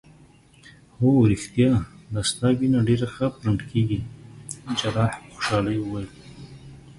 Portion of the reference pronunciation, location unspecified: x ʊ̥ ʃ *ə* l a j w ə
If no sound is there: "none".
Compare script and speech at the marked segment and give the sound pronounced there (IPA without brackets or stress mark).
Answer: ɑ